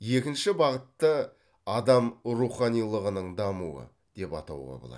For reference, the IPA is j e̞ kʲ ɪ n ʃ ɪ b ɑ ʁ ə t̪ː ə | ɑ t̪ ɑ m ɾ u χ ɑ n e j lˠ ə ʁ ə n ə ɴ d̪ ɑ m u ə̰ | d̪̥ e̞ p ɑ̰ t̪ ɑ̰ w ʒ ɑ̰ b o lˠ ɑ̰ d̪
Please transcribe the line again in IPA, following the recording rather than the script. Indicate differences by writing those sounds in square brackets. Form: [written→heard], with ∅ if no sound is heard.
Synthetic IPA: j e̞ kʲ ɪ n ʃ ɪ b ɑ ʁ ə t̪ː ə | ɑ [t̪→d̪] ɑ m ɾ u χ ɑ n [e→i] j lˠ ə ʁ ə n ə ɴ d̪ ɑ m u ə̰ | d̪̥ e̞ p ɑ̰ t̪ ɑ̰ w [ʒ→ʁ] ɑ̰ b o lˠ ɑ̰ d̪